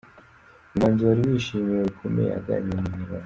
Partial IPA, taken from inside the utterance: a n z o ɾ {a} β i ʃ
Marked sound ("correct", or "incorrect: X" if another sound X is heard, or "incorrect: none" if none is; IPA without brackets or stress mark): incorrect: i